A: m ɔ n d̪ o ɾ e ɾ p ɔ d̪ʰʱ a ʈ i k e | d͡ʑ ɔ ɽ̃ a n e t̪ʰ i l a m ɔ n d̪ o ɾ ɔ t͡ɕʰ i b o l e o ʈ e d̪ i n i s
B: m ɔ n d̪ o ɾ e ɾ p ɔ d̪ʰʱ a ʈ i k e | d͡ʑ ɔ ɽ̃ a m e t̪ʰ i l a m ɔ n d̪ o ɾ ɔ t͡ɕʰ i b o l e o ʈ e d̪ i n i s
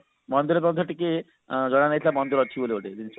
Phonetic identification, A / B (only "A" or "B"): A